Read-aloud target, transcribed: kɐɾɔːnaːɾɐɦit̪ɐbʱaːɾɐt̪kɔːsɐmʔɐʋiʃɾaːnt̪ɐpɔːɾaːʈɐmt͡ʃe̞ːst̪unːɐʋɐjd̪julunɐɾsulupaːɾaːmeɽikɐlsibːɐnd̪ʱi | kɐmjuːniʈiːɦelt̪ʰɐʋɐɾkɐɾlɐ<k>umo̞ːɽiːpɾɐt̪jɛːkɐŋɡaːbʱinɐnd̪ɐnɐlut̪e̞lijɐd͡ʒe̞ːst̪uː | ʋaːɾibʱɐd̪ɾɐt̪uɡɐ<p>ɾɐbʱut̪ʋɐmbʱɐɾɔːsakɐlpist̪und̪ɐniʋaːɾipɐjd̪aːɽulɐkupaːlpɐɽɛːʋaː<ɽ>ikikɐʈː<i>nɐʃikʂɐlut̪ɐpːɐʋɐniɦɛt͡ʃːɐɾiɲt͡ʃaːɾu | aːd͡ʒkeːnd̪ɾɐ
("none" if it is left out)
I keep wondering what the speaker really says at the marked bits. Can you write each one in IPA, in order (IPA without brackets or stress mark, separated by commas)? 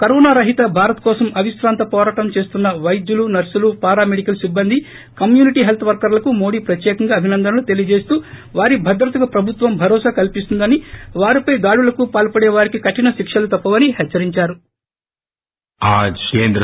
k, p, ɾ, i